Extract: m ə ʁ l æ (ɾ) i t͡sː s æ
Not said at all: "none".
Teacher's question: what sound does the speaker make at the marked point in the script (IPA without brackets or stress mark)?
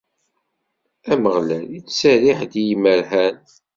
l